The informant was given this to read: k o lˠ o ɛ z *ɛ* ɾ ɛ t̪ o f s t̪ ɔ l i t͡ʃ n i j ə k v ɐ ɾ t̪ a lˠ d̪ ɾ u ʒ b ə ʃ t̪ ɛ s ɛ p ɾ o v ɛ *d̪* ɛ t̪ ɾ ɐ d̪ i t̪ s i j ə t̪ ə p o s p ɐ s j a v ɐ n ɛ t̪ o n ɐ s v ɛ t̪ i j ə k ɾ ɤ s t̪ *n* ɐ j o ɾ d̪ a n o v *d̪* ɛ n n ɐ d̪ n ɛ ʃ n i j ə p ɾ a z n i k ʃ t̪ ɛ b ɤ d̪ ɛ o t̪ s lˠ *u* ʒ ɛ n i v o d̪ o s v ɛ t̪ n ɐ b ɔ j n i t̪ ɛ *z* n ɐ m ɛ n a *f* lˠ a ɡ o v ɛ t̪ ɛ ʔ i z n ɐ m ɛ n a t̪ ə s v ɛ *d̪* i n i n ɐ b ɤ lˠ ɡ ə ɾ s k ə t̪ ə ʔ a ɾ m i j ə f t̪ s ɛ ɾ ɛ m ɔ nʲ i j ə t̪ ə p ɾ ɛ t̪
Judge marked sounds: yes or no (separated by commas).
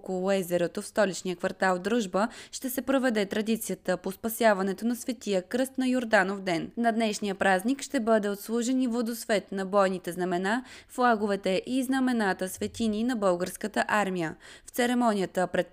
yes, yes, yes, yes, yes, yes, yes, no